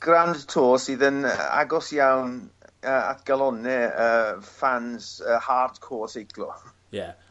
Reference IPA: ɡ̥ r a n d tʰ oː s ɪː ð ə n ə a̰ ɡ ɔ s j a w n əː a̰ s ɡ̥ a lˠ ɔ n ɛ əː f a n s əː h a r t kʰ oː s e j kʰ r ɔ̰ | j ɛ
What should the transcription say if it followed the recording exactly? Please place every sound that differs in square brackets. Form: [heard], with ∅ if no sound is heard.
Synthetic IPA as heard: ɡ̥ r a n d tʰ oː s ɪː ð ə n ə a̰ ɡ ɔ s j a w n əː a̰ [t] ɡ̥ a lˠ ɔ n ɛ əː f a n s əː h a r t kʰ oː s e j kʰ [l] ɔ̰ | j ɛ